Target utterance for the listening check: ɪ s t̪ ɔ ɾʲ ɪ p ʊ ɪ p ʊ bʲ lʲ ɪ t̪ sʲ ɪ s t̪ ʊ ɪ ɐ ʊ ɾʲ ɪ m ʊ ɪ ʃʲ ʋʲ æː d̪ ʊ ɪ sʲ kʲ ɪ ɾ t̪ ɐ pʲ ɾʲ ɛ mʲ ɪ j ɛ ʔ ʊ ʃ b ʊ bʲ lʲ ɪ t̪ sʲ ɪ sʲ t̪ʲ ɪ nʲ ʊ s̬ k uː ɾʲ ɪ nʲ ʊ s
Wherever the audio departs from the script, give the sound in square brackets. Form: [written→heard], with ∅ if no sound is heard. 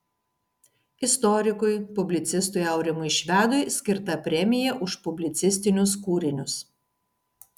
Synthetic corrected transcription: ɪ s t̪ ɔ ɾʲ ɪ [p→k] ʊ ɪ p ʊ bʲ lʲ ɪ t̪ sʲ ɪ s t̪ ʊ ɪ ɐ ʊ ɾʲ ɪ m ʊ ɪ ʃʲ ʋʲ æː d̪ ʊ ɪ sʲ kʲ ɪ ɾ t̪ ɐ pʲ ɾʲ ɛ mʲ ɪ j ɛ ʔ ʊ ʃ [b→p] ʊ bʲ lʲ ɪ t̪ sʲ ɪ sʲ t̪ʲ ɪ nʲ ʊ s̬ k uː ɾʲ ɪ nʲ ʊ s

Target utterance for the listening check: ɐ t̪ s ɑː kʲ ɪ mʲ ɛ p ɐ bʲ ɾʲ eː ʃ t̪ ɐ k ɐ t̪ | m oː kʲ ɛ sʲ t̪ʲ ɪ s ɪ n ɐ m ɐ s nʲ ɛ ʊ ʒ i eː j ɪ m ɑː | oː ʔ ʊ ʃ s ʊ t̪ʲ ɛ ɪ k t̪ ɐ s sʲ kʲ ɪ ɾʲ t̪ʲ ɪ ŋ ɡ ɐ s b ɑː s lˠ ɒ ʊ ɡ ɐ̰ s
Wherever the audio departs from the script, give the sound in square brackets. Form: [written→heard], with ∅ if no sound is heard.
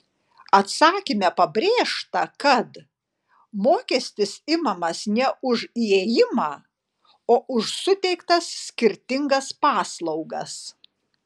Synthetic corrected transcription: ɐ t̪ s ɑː kʲ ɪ mʲ ɛ p ɐ bʲ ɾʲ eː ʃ t̪ ɐ k ɐ t̪ | m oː kʲ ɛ sʲ t̪ʲ ɪ s ɪ [n→m] ɐ m ɐ s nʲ ɛ ʊ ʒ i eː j ɪ m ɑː | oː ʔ ʊ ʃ s ʊ t̪ʲ ɛ ɪ k t̪ ɐ s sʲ kʲ ɪ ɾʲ t̪ʲ ɪ ŋ ɡ ɐ s [b→p] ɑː s lˠ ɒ ʊ ɡ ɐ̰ s

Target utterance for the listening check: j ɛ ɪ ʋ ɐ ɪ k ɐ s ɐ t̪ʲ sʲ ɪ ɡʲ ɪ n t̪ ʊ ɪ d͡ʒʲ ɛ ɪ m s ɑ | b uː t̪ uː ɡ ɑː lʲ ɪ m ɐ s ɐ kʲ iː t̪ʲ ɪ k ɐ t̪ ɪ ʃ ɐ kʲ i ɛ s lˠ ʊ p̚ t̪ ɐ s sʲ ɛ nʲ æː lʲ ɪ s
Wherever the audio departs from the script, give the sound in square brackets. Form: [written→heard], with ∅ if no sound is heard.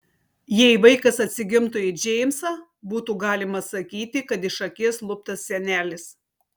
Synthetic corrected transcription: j ɛ ɪ ʋ ɐ ɪ k ɐ s ɐ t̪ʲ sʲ ɪ ɡʲ ɪ [n→m] t̪ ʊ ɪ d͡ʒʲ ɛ ɪ m s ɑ | b uː t̪ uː ɡ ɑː lʲ ɪ m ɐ s ɐ kʲ iː t̪ʲ ɪ k ɐ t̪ ɪ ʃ ɐ kʲ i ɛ s lˠ ʊ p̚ t̪ ɐ s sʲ ɛ nʲ æː lʲ ɪ s

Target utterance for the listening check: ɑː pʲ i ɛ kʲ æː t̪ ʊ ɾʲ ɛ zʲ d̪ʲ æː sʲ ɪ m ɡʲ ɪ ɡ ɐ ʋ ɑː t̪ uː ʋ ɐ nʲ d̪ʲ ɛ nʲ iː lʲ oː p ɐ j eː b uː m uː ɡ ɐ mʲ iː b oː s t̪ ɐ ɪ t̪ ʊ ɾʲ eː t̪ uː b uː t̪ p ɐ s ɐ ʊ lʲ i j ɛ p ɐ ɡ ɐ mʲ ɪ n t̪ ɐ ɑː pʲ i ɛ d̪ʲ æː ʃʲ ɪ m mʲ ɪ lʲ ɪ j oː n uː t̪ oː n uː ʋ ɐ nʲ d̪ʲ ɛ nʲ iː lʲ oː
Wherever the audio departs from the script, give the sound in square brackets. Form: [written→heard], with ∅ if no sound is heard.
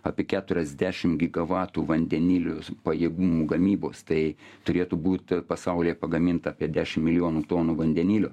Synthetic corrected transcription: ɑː pʲ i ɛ kʲ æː t̪ ʊ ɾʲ ɛ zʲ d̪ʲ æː [sʲ→ʃʲ] ɪ m ɡʲ ɪ ɡ ɐ ʋ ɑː t̪ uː ʋ ɐ nʲ d̪ʲ ɛ nʲ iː lʲ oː p ɐ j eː [b→ɡ] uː m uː ɡ ɐ mʲ iː b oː s t̪ ɐ ɪ t̪ ʊ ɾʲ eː t̪ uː b uː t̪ p ɐ s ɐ ʊ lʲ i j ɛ p ɐ ɡ ɐ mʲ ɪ n t̪ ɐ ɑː pʲ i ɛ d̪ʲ æː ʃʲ ɪ m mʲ ɪ lʲ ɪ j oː n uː t̪ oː n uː ʋ ɐ nʲ d̪ʲ ɛ nʲ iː lʲ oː

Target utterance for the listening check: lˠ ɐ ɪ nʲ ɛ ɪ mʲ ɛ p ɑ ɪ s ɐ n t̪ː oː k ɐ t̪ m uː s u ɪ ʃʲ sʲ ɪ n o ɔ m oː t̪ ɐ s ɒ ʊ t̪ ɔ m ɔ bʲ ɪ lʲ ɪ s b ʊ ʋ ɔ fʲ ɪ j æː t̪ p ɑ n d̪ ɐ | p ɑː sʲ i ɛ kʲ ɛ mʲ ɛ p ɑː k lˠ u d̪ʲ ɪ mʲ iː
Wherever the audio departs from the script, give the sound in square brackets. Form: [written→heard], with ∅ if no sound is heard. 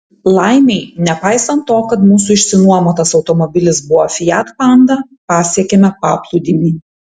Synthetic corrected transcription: lˠ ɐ ɪ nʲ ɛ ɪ [mʲ→nʲ] ɛ p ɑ ɪ s ɐ n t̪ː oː k ɐ t̪ m uː s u ɪ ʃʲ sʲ ɪ n [o→u] ɔ m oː t̪ ɐ s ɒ ʊ t̪ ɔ m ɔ bʲ ɪ lʲ ɪ s b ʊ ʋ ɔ fʲ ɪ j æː t̪ p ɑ n d̪ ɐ | p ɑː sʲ i ɛ kʲ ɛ mʲ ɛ p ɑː [k→p] lˠ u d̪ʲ ɪ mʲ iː

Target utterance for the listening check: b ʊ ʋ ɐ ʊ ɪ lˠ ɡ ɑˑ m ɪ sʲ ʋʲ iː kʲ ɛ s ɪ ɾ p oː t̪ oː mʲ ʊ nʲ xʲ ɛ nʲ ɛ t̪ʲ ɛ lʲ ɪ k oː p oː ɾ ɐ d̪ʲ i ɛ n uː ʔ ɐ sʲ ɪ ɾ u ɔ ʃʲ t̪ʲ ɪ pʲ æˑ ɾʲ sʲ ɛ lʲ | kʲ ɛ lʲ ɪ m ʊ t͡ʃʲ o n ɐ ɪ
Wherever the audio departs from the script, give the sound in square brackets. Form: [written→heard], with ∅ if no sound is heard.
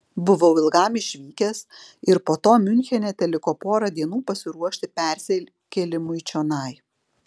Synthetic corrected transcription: b ʊ ʋ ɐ ʊ ɪ lˠ ɡ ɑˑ m ɪ [sʲ→ʃʲ] ʋʲ iː kʲ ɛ s ɪ ɾ p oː t̪ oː mʲ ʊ nʲ xʲ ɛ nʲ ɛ t̪ʲ ɛ lʲ ɪ k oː p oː ɾ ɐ d̪ʲ i ɛ n uː [ʔ→p] ɐ sʲ ɪ ɾ u ɔ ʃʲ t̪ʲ ɪ pʲ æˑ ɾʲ sʲ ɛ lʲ | kʲ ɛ lʲ ɪ m ʊ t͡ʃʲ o n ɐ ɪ

